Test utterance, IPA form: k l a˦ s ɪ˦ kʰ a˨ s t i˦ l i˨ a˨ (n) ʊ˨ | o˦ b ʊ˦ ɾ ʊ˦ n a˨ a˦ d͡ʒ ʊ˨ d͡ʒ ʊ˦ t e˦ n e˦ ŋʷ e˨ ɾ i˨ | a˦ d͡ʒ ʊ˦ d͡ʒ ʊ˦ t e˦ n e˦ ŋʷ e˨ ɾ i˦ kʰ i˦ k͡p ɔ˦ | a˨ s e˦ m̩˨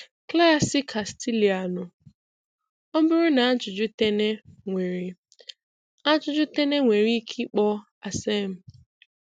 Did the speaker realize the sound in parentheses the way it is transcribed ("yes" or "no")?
yes